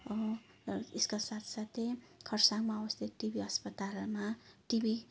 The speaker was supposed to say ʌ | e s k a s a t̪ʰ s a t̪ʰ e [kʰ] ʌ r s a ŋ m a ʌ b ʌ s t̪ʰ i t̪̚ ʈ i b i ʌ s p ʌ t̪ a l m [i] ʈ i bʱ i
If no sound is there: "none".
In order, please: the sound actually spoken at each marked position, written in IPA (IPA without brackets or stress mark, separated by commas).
kʰ, a